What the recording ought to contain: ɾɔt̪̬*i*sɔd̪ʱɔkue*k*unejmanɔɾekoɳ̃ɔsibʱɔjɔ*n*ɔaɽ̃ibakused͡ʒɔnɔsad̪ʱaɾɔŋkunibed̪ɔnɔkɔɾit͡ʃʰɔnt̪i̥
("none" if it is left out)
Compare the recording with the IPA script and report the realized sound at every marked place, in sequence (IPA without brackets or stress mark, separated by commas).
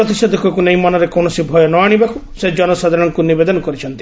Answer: i, k, n